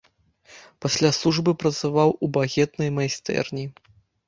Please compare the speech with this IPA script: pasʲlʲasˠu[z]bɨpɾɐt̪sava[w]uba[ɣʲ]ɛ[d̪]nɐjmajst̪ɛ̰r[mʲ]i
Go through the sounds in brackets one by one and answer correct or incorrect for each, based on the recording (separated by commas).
incorrect, correct, correct, incorrect, incorrect